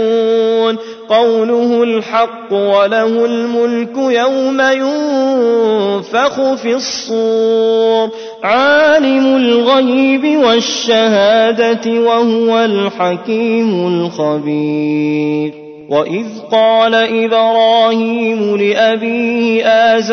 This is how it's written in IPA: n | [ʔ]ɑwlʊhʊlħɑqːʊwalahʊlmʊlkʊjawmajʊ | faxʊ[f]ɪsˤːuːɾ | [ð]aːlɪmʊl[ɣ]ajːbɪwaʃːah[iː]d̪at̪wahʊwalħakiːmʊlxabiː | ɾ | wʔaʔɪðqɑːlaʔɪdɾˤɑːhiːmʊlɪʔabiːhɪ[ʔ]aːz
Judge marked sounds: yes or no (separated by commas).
no, yes, no, yes, no, yes